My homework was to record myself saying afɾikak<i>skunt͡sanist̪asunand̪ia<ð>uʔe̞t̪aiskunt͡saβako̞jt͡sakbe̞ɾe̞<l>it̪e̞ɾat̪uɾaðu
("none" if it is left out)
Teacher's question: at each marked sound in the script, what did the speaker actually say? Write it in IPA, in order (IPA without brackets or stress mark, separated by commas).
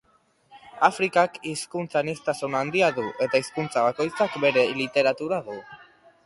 i, ð, l